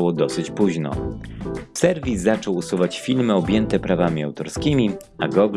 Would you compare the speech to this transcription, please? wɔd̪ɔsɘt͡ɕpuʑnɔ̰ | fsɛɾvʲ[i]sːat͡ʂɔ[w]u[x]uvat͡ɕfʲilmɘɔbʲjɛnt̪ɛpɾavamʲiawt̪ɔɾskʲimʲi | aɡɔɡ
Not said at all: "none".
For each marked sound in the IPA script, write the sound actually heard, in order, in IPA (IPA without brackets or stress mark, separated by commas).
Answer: i, w, s